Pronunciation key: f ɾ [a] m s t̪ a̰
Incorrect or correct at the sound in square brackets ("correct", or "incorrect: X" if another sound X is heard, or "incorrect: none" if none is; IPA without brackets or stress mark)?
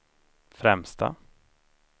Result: incorrect: ɛ